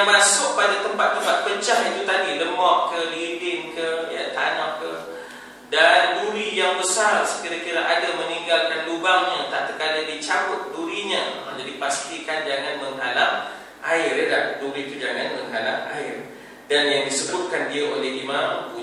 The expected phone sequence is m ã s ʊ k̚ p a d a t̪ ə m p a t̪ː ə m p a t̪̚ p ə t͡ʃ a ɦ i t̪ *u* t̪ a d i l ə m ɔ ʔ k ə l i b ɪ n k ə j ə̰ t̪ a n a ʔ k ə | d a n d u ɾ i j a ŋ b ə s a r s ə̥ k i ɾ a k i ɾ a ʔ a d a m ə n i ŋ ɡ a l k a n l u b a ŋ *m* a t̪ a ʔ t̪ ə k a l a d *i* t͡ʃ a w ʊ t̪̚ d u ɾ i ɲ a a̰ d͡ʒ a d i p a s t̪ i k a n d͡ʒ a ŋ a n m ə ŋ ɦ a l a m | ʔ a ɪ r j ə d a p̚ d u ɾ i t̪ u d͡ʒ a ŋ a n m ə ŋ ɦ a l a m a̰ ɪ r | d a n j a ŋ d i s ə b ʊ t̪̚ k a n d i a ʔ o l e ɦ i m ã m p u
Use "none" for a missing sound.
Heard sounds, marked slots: u, ɲ, i

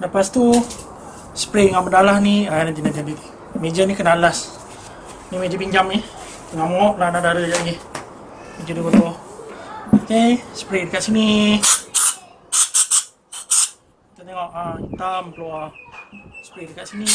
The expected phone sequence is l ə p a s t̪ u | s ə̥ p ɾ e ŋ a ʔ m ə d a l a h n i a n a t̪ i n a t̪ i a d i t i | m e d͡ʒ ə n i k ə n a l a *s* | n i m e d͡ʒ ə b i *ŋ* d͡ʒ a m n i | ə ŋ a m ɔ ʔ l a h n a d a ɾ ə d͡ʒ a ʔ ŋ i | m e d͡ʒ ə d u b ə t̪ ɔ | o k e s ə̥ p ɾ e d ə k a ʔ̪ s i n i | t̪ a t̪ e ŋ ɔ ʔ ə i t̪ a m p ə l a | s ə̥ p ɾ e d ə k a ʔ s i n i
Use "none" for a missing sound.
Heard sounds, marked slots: s, ɲ

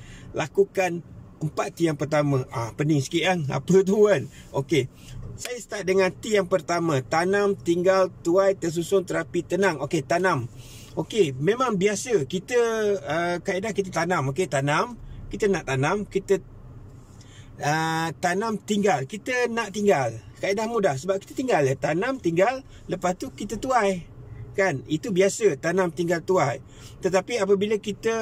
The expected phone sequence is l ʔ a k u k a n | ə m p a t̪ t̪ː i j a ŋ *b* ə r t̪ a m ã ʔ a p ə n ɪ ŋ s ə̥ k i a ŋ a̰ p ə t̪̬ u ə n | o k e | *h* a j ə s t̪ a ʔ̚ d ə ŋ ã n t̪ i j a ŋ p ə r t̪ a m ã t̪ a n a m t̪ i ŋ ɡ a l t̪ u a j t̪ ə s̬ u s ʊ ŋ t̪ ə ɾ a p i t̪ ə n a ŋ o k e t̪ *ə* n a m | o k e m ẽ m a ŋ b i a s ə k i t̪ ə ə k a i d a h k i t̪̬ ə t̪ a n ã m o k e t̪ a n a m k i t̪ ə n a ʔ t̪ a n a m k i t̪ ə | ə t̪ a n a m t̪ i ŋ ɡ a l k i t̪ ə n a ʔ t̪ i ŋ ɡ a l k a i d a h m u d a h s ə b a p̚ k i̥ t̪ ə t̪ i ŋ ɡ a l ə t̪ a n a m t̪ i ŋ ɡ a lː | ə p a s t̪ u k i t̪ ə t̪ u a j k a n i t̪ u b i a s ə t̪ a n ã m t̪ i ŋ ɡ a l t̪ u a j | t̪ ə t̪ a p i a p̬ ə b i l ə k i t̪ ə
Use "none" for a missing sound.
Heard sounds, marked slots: p, s, a

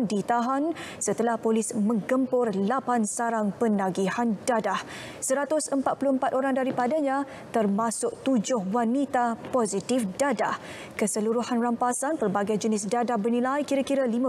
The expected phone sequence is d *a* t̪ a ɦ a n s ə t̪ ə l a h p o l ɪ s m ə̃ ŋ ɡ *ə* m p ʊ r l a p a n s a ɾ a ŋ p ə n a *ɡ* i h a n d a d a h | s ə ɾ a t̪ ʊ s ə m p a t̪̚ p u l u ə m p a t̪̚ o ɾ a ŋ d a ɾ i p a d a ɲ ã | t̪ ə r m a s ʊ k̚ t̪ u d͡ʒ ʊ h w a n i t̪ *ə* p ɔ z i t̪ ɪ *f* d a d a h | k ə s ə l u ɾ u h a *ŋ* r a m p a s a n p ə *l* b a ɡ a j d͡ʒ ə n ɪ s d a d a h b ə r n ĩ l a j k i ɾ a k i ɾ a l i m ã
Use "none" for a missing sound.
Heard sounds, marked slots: i, ə, ɡ, a, f, n, r

